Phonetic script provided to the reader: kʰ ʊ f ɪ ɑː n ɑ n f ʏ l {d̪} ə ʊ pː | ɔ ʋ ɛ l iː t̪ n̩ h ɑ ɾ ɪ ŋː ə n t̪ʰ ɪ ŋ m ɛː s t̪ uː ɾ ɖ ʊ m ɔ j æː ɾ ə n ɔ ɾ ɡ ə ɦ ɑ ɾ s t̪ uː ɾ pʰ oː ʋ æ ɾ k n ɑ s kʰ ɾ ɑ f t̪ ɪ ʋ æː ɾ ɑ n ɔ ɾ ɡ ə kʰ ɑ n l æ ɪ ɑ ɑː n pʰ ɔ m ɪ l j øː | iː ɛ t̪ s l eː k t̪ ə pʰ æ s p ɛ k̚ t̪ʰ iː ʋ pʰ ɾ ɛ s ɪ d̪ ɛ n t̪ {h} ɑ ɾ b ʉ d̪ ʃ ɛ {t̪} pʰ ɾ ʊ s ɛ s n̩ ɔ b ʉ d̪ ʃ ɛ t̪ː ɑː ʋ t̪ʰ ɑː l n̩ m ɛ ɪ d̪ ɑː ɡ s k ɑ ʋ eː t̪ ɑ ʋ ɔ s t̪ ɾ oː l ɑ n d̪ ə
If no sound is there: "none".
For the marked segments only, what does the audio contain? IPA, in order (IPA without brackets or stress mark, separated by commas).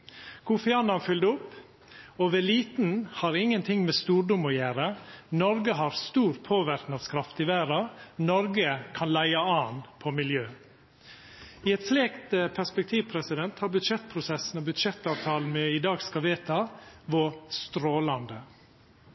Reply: d̪, h, t̪